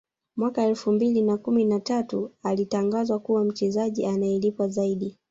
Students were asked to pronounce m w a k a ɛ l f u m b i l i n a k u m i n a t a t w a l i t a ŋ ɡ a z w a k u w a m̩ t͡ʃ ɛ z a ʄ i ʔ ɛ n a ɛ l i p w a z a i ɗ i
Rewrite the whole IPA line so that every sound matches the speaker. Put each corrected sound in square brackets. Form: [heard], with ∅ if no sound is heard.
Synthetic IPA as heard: m w a k a ɛ l f u m b i l i n a k u m i n a t a t [u] a l i t a ŋ ɡ a z w a k u w a m̩ t͡ʃ ɛ z a ʄ i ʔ [a] n a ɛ l i p w a z a i ɗ i